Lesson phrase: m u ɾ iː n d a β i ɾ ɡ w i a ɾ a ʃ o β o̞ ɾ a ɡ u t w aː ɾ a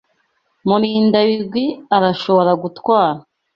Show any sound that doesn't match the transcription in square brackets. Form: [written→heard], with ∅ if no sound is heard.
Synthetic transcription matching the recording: m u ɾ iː n d a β i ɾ ɡ w i a ɾ a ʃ o β o̞ ɾ a ɡ u t w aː ɾ a